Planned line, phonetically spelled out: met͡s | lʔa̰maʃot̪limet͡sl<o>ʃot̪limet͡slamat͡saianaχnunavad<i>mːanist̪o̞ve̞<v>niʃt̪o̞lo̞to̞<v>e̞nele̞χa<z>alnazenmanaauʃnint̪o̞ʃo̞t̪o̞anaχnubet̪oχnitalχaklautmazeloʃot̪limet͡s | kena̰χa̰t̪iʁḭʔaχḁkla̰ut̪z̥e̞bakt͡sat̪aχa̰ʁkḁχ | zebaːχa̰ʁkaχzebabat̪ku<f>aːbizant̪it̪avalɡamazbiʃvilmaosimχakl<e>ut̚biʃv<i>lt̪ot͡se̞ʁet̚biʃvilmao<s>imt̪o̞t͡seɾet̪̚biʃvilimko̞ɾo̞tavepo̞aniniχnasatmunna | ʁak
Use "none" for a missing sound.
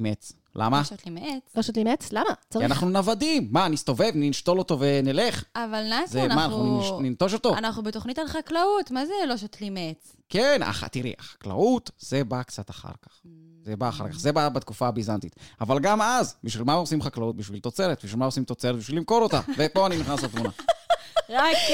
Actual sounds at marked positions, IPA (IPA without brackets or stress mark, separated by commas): o, i, v, v, v, f, a, i, s